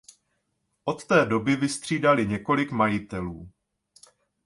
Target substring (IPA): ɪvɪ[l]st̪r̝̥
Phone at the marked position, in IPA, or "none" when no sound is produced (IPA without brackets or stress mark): none